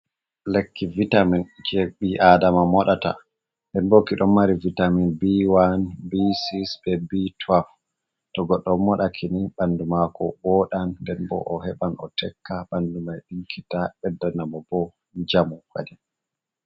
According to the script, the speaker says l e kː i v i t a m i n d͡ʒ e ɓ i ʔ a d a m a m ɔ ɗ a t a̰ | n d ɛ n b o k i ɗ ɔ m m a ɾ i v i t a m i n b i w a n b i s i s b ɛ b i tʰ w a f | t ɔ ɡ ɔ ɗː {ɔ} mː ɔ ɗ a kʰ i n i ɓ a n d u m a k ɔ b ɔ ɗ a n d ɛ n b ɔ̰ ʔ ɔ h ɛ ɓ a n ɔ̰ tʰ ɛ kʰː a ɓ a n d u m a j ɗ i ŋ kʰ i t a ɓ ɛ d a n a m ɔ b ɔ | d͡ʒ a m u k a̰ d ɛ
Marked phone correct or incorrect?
correct